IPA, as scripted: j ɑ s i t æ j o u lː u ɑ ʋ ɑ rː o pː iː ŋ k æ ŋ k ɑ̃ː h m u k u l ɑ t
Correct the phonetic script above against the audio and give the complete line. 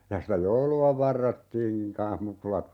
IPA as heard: j ɑ s i t æ j o u l u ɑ ʋ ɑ rː o tː iː ŋ k i ŋ k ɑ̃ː h m u k u l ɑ t